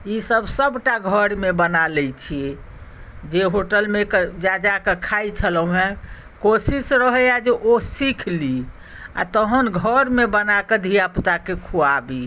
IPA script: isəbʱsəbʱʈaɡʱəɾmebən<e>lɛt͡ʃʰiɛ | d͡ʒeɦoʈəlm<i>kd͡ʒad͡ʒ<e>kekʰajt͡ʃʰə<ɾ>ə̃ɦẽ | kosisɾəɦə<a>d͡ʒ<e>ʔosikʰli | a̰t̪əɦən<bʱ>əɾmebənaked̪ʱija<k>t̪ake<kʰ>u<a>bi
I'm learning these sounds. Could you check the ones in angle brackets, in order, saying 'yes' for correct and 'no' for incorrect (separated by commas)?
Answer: no, no, no, no, yes, yes, no, no, yes, yes